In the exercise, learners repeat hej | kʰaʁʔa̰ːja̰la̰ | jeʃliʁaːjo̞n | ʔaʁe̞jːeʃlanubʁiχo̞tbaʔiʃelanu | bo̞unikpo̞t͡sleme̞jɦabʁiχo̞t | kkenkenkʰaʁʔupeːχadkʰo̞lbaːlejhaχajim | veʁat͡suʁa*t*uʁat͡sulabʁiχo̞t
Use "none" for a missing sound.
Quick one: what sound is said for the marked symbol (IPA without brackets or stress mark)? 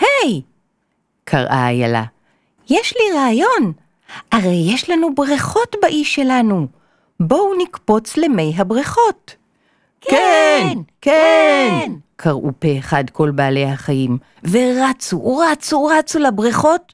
t͡s